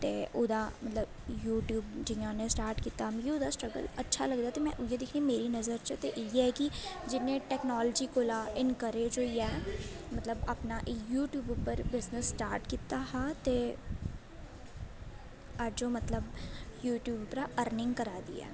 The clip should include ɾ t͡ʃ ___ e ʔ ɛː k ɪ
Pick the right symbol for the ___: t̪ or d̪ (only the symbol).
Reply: t̪